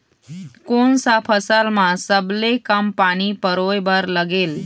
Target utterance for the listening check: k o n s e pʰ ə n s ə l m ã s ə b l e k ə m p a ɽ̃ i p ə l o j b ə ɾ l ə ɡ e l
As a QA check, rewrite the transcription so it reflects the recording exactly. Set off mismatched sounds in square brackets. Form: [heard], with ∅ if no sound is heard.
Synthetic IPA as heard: k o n s [a] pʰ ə [∅] s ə l m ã s ə b l e k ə m p a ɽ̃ i p ə [ɾ] o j b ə ɾ l ə ɡ e l